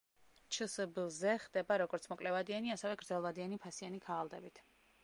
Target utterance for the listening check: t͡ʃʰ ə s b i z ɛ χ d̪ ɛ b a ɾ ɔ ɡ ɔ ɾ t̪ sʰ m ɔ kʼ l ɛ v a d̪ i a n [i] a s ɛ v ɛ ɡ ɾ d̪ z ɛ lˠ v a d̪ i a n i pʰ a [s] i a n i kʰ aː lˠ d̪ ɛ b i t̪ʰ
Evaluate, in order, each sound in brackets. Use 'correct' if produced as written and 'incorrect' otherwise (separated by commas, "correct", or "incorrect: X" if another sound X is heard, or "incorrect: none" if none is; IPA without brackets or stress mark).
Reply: correct, correct